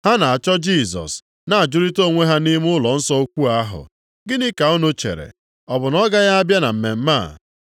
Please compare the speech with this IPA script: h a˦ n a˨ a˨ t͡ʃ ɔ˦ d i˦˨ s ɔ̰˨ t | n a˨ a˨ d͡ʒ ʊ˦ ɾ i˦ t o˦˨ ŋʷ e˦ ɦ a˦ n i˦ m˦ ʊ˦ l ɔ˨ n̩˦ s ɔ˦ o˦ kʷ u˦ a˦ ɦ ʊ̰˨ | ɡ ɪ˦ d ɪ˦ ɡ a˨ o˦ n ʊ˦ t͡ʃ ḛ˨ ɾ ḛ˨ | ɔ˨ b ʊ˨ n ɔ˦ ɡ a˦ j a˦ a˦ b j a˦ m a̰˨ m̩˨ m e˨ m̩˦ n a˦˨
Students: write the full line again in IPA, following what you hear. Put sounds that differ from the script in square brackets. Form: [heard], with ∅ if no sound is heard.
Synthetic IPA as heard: h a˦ n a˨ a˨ t͡ʃ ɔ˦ [d͡ʒ] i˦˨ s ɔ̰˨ [s] | n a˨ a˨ d͡ʒ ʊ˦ ɾ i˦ t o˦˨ ŋʷ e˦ ɦ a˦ n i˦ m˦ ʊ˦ l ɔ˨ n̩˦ s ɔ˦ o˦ kʷ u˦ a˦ ɦ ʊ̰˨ | ɡ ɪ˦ [n] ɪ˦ [k] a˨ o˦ n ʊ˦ t͡ʃ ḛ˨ ɾ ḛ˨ | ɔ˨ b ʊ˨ n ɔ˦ ɡ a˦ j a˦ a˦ b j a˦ [n] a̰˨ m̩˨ m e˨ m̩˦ [m] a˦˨